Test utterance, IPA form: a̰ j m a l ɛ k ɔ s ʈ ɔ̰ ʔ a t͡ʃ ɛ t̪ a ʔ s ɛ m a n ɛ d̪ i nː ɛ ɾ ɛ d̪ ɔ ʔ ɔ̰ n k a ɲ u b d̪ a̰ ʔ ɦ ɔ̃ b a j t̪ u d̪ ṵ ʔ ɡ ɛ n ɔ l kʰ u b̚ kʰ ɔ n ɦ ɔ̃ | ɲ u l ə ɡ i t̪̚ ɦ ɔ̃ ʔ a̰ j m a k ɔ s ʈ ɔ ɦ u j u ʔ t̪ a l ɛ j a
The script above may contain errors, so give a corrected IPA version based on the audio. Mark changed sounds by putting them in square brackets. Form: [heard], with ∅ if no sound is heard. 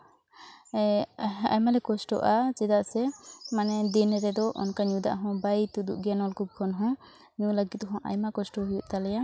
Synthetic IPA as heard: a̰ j m a l ɛ k ɔ s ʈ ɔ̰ ʔ a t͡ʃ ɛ [d̪] a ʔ s ɛ m a n ɛ d̪ i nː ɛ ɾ ɛ d̪ ɔ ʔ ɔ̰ n k a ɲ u [∅] d̪ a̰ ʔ ɦ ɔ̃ b a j t̪ u d̪ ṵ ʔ ɡ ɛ n ɔ l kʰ u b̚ kʰ ɔ n ɦ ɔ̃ | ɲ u l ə ɡ i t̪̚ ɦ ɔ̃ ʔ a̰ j m a k ɔ s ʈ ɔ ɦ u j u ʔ t̪ a l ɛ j a